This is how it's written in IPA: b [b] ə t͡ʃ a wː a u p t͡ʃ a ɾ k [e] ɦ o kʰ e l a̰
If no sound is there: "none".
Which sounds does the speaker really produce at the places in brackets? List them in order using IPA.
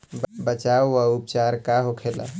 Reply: b, a

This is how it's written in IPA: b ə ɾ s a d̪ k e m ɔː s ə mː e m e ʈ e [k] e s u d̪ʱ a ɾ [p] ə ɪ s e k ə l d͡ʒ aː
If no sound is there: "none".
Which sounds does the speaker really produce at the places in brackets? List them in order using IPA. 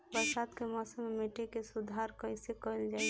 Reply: k, k

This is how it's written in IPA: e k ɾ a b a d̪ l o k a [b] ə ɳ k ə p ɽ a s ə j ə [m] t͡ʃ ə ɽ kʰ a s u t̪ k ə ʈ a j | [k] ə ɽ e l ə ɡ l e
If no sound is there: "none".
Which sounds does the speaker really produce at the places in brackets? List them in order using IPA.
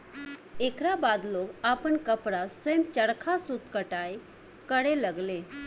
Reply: p, m, k

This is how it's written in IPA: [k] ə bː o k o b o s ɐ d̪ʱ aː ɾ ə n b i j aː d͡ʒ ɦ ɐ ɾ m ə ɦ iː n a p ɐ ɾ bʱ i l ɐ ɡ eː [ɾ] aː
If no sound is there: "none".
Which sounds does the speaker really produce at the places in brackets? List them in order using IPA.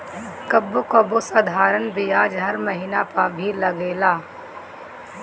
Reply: k, l

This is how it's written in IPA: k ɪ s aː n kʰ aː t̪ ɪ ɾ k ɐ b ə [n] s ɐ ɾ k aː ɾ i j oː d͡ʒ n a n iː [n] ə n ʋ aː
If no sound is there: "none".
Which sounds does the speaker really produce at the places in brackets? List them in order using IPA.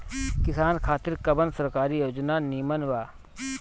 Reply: n, m

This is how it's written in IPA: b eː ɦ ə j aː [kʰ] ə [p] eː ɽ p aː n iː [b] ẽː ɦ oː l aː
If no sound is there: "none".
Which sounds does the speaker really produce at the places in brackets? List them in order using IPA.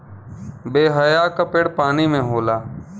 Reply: k, p, m

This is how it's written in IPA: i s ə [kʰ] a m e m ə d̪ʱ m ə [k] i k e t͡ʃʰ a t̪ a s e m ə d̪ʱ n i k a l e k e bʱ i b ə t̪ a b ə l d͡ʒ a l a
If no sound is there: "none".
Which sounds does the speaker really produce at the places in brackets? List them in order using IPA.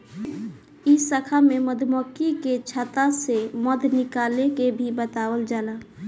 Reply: kʰ, k

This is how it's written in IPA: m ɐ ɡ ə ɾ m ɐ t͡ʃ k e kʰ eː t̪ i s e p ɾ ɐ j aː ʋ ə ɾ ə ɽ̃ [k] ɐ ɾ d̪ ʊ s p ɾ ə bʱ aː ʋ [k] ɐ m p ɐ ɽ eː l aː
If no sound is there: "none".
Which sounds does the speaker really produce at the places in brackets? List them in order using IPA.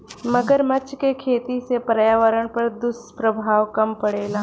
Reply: p, k

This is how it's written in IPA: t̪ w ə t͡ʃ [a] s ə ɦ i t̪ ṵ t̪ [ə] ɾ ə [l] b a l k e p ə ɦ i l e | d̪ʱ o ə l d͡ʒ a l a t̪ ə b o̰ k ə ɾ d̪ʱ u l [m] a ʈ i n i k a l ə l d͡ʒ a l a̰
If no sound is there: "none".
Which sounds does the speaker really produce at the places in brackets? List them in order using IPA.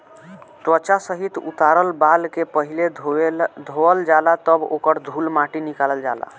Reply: a, a, l, m

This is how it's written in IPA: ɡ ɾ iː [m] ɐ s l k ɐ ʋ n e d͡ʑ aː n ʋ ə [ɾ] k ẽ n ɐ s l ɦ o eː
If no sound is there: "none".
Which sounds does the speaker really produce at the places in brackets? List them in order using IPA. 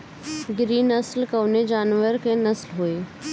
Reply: n, ɾ

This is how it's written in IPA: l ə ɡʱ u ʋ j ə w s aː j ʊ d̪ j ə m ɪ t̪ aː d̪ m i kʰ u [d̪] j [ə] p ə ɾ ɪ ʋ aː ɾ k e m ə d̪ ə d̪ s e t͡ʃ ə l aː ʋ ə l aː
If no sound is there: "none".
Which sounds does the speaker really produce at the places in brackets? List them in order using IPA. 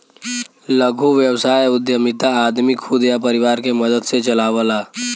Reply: d̪, a

